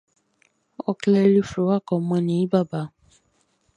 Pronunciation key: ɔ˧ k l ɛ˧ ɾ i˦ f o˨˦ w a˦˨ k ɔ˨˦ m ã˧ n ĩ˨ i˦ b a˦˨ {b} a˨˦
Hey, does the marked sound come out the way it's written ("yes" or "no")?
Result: yes